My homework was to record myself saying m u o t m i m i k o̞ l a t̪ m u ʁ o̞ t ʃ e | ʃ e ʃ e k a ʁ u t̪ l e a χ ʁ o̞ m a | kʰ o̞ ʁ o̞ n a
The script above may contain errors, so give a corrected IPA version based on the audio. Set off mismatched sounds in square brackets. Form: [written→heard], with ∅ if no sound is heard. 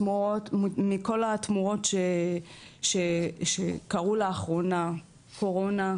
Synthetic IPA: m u o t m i m i k o̞ l a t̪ m u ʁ o̞ t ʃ e | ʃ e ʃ e k a ʁ u [t̪→∅] l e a χ ʁ o̞ [m→n] a | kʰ o̞ ʁ o̞ n a